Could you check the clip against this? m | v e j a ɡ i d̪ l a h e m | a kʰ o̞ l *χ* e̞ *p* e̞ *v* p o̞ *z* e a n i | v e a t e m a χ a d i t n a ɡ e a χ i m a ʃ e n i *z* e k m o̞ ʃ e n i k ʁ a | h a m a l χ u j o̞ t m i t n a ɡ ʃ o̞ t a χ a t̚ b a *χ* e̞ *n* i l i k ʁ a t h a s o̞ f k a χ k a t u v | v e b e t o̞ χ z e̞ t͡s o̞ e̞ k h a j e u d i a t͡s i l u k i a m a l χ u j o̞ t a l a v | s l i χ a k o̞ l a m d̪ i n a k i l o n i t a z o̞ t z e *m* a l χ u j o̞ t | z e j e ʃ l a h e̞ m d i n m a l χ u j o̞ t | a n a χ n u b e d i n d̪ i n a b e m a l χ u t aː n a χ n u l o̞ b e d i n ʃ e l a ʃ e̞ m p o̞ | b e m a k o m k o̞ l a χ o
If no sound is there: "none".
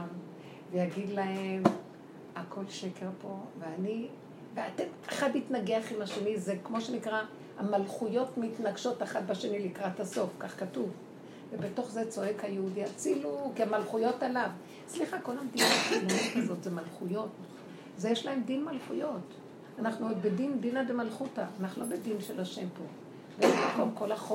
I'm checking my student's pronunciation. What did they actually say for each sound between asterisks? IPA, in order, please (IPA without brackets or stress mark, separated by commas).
ʃ, k, ʁ, v, z, ʃ, n, m